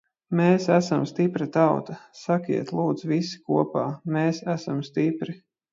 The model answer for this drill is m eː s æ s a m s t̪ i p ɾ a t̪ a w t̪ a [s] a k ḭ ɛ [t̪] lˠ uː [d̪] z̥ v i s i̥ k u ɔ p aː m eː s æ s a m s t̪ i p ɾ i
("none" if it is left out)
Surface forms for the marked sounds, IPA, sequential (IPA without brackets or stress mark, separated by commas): s, t̪, d̪